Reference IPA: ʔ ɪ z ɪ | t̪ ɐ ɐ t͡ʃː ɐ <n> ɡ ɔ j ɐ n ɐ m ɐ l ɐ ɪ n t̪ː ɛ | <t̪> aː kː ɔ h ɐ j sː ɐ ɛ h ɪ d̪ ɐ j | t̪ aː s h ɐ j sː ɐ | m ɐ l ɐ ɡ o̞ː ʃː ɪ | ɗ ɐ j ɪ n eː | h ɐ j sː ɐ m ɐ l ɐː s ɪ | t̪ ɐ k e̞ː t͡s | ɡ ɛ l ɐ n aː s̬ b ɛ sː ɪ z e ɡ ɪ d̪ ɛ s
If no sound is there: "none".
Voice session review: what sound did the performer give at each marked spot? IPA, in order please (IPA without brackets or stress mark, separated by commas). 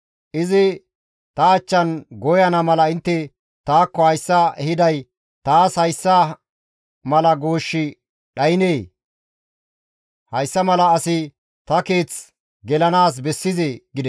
n, t̪